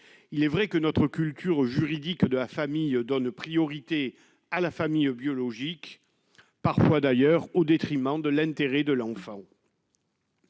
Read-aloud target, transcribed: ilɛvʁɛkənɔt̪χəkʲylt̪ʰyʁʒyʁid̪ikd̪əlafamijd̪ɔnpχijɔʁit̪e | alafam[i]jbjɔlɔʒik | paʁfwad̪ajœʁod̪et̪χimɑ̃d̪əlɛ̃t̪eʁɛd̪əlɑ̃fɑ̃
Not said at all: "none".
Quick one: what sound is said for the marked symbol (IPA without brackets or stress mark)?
i